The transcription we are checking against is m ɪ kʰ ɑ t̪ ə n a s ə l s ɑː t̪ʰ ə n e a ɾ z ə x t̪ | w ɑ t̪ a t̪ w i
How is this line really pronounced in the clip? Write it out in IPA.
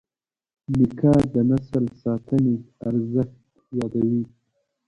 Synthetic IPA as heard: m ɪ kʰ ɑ d̪ ə n a s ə l s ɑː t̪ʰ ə n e a ɾ z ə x t̪ | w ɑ d̪ a w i